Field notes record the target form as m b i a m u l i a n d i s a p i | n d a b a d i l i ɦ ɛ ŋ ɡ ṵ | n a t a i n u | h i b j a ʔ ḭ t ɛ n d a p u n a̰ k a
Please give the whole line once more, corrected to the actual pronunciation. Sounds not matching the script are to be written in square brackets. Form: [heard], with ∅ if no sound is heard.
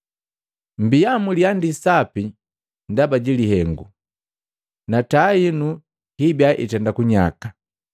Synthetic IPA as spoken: m b i a m u l i a n d i s a p i | n d a b a [ɟ] i l i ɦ ɛ ŋ ɡ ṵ | n a t a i n u | h i b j a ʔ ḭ t ɛ n d a [k] u [ɲ] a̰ k a